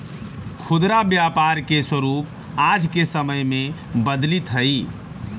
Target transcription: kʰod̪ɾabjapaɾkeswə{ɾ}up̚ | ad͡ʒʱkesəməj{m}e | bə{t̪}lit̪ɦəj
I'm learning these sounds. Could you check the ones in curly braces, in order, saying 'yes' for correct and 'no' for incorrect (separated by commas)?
yes, yes, no